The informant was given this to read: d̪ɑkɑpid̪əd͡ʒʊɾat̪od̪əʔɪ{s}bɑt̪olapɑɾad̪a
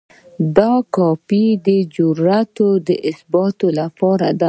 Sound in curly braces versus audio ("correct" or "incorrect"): correct